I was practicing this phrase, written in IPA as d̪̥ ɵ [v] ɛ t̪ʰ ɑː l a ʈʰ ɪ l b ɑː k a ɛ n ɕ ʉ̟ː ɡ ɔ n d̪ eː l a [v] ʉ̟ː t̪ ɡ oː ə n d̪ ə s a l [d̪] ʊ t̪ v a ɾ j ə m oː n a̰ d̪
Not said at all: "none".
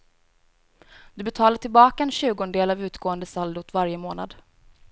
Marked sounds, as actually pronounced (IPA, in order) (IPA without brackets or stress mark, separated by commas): b, v, d̪